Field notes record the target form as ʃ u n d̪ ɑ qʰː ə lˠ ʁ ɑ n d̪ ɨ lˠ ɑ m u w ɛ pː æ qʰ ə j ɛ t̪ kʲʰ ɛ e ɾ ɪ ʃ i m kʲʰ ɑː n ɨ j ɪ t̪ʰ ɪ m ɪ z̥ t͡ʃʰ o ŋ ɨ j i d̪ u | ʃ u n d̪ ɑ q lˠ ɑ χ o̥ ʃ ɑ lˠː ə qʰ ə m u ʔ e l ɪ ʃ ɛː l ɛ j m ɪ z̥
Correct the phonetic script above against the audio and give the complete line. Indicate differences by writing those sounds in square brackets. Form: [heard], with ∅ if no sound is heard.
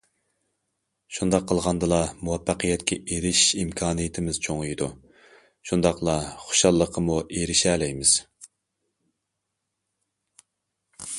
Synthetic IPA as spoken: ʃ u n d̪ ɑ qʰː ə lˠ ʁ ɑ n d̪ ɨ lˠ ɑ m u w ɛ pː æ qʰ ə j ɛ t̪ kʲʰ ɛ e ɾ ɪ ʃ i m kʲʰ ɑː n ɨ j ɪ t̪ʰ ɪ m ɪ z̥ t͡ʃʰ o ŋ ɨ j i d̪ u | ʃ u n d̪ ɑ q lˠ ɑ χ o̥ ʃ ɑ lˠː ə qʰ ə m u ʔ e [ɾ] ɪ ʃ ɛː l ɛ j m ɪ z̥